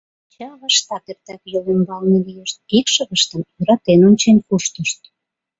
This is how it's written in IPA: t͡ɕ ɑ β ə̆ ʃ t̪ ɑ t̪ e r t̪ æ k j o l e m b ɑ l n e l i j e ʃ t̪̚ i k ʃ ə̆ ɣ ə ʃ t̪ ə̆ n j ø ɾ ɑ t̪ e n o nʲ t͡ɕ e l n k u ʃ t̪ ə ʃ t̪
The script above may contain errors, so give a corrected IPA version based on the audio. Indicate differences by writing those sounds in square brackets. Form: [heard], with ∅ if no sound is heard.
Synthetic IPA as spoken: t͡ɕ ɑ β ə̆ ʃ t̪ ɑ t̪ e r t̪ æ k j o l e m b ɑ l n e l i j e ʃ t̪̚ i k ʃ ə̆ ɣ ə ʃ t̪ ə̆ [m] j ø ɾ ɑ t̪ e n o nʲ t͡ɕ e [∅] n k u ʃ t̪ ə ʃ t̪